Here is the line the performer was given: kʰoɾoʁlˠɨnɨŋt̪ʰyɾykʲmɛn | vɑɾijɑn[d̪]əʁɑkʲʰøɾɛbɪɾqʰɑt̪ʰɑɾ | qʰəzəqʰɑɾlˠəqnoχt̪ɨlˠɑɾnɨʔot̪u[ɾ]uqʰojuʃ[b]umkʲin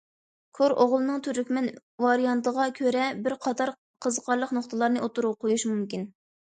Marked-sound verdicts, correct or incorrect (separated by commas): incorrect, correct, incorrect